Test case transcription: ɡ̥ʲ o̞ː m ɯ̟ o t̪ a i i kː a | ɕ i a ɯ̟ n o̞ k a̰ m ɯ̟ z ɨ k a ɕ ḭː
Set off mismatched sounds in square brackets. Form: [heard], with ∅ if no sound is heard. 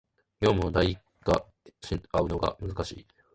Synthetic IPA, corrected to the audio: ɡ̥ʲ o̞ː m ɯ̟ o [d̪] a i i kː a | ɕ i a ɯ̟ n o̞ [ɡ] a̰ m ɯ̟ z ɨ k a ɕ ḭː